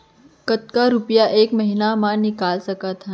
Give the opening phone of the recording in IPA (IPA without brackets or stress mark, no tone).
k